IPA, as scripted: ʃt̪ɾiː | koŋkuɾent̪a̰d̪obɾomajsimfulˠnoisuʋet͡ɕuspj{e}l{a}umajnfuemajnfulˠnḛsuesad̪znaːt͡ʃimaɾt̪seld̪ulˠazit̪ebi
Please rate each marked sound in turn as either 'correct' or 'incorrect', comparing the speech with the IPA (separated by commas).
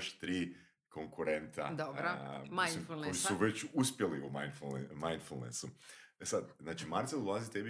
correct, incorrect